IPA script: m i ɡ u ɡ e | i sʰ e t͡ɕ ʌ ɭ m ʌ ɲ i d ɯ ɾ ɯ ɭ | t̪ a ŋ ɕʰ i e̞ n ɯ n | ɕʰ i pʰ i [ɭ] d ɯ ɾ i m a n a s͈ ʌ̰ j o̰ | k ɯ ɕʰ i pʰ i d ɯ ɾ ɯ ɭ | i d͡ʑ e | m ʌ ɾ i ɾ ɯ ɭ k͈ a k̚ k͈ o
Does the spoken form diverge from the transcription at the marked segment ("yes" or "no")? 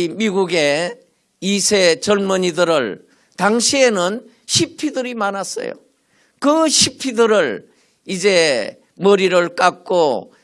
yes